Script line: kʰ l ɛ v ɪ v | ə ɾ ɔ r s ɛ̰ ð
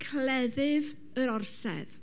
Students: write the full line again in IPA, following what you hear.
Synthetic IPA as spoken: kʰ l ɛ ð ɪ v | ə ɾ ɔ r s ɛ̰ ð